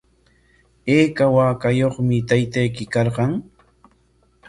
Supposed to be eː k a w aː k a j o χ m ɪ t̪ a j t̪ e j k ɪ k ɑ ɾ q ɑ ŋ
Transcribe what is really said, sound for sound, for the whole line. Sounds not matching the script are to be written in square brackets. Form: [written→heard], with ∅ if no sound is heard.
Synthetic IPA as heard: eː k a w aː k a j o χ m ɪ t̪ a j t̪ [e→a] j k ɪ k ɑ ɾ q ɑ ŋ